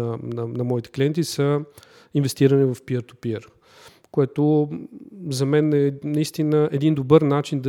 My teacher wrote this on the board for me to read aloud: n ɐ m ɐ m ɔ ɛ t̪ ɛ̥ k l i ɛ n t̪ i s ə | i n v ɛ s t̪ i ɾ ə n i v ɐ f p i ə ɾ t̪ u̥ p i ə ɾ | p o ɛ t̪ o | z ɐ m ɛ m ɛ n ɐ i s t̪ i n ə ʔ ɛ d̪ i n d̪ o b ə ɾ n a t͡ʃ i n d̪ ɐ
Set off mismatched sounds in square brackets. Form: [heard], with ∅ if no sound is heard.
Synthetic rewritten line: n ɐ [n] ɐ m ɔ [i] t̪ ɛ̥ k l i ɛ n t̪ i s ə | i n v ɛ s t̪ i ɾ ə n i v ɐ f p i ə ɾ t̪ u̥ p i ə ɾ | [k] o ɛ t̪ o | z ɐ m ɛ [n] ɛ n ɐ i s t̪ i n ə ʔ ɛ d̪ i n d̪ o b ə ɾ n a t͡ʃ i n d̪ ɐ